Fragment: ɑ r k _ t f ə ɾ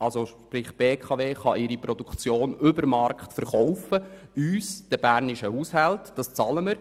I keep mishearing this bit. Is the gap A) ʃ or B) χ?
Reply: B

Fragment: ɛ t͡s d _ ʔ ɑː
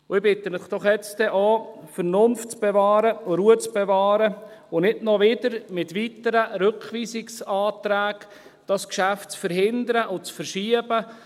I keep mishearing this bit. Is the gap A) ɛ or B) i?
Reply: A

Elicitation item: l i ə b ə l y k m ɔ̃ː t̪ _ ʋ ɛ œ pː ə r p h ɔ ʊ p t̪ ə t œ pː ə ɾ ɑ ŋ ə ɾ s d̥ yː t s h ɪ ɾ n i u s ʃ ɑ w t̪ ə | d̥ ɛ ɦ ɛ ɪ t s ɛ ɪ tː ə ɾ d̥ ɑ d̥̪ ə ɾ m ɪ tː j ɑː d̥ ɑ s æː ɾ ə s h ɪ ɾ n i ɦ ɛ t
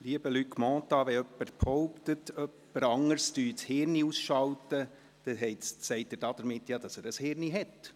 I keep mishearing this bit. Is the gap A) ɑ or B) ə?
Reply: A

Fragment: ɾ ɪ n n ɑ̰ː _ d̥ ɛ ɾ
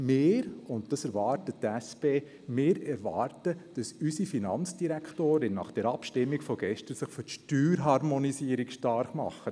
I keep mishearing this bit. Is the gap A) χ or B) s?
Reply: A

